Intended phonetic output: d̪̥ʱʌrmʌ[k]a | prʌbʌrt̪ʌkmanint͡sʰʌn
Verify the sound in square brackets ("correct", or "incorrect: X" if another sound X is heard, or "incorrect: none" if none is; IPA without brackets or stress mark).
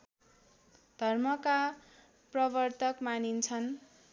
correct